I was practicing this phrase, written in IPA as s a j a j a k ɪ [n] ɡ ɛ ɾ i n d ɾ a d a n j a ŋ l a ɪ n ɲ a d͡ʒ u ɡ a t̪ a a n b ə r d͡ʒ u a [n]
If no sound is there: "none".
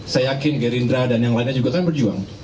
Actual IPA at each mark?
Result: n, ŋ

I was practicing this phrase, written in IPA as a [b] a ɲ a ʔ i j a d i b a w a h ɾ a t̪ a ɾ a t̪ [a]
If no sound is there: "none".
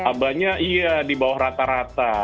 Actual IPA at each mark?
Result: b, a

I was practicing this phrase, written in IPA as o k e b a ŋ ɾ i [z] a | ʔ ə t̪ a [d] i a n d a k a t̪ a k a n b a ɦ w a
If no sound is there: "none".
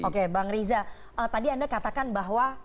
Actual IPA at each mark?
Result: z, d

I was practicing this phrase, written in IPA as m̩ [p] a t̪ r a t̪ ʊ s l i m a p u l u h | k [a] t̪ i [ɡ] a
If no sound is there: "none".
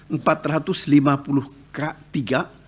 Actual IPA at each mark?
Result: p, a, ɡ

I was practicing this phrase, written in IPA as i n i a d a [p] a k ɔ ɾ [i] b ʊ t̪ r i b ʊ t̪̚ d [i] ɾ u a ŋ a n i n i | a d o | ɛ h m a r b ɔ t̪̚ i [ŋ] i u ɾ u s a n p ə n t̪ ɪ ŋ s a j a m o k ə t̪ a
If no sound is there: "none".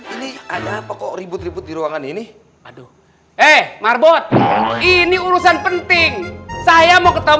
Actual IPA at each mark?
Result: p, i, i, n

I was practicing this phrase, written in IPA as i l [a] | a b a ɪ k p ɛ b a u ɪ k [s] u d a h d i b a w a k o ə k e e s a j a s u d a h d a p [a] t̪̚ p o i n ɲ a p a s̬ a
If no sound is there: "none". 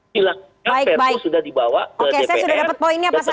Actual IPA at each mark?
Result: a, s, ə

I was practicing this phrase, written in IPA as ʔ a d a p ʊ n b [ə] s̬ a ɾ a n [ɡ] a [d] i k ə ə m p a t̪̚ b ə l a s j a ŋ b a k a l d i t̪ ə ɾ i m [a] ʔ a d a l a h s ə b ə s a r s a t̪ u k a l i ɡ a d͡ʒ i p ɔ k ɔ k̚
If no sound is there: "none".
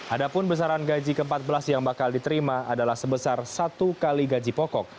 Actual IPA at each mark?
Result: ə, ɡ, d͡ʒ, a

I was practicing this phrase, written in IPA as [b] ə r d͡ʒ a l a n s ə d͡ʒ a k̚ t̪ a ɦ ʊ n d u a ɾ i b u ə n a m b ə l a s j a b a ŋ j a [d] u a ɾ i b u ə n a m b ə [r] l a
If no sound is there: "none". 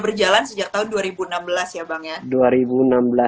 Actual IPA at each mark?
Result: b, d, none

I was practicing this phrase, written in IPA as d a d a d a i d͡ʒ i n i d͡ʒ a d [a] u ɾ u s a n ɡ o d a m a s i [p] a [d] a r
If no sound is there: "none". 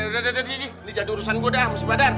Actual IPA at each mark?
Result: i, b, d

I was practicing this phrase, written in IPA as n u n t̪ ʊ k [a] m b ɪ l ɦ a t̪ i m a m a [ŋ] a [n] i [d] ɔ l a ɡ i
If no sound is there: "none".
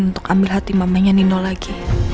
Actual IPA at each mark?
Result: a, ɲ, n, n

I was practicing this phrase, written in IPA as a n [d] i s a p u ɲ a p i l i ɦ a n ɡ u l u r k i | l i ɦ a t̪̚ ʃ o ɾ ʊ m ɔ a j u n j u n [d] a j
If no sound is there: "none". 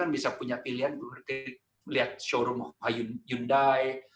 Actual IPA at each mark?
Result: b, d

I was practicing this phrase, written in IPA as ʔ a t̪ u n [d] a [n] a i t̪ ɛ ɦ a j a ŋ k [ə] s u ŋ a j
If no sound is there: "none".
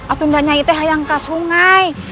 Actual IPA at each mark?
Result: d, ɲ, a

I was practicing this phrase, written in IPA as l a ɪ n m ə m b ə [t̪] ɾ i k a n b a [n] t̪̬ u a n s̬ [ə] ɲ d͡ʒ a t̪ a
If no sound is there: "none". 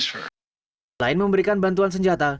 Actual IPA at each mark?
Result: none, n, ə

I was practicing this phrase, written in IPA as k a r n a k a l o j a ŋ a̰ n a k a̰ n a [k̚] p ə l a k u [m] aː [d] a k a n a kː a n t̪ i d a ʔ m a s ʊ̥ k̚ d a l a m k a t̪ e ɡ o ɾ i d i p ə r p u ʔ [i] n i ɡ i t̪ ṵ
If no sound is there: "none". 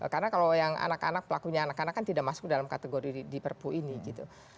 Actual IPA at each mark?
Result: k̚, ɲ, n, i

